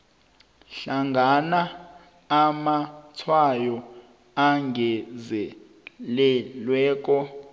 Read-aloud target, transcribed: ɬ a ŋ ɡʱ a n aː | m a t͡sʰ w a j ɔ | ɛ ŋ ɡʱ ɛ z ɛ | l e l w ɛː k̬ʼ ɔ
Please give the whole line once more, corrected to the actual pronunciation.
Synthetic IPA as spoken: ɬ a ŋ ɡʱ a n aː | m a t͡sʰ w a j ɔ | a ŋ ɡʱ ɛ z ɛ | l ɛ l w ɛː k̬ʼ ɔ